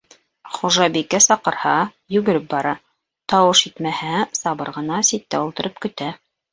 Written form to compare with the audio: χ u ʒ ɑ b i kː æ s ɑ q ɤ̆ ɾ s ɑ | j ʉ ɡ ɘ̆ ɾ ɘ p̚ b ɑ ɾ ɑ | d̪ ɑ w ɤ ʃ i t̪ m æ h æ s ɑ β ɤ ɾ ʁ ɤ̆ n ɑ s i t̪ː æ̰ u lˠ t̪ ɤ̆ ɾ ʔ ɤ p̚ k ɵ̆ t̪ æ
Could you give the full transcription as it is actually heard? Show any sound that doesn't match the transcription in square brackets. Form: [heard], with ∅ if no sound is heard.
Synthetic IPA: χ u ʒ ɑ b i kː æ s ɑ q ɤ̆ ɾ [h] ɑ | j ʉ ɡ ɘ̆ ɾ ɘ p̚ b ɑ ɾ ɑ | [t̪] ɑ w ɤ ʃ i t̪ m æ h æ s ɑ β ɤ ɾ ʁ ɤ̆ n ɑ s i t̪ː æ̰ u lˠ t̪ ɤ̆ ɾ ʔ ɤ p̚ k ɵ̆ t̪ æ